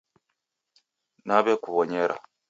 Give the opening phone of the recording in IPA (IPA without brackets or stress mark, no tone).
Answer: n